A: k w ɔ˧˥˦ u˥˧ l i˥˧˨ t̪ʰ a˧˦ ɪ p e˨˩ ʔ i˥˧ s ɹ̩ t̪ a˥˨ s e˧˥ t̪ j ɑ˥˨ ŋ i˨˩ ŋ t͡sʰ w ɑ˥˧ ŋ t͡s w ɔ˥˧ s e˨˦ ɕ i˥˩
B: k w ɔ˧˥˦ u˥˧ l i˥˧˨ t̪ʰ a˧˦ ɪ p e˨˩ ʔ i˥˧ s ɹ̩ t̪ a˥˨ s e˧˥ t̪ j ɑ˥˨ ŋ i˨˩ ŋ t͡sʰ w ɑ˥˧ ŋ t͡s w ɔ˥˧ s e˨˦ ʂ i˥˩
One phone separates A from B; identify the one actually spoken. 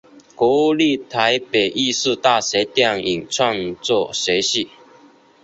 A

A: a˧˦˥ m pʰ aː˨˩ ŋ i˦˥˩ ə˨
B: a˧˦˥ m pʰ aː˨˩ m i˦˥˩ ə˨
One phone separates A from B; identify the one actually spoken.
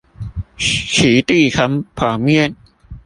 B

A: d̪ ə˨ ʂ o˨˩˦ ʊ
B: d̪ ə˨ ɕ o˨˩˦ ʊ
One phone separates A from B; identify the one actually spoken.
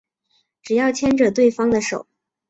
A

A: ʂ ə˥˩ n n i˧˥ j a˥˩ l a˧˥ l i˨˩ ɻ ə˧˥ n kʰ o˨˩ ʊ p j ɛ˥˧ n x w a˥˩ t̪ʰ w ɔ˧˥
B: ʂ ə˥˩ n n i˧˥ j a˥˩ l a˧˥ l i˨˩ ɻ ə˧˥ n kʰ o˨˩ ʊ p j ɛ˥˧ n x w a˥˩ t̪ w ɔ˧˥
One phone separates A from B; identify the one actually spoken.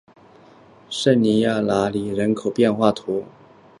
A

